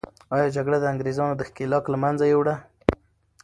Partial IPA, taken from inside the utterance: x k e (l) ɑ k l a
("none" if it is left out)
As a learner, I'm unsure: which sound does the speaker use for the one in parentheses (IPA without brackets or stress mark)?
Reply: l